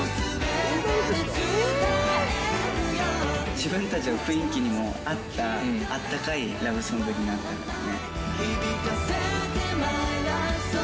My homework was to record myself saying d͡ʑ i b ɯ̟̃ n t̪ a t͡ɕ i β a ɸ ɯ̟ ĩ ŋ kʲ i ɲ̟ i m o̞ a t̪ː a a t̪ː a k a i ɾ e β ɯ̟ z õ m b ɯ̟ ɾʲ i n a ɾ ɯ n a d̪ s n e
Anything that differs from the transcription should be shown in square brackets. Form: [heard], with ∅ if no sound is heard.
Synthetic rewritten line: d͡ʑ i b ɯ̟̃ n t̪ a t͡ɕ i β a ɸ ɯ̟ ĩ ŋ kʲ i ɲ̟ i m o̞ a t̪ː a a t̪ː a k a i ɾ [a] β ɯ̟ [s] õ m b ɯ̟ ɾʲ i n a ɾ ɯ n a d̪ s n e